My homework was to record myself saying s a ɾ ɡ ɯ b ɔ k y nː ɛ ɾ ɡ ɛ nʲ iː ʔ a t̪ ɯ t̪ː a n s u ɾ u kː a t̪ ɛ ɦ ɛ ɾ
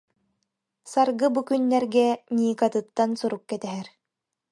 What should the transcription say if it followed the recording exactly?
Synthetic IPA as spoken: s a ɾ ɡ ɯ b u k y nː ɛ ɾ ɡ ɛ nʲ iː k a t̪ ɯ t̪ː a n s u ɾ u kː ɛ t̪ ɛ ɦ ɛ ɾ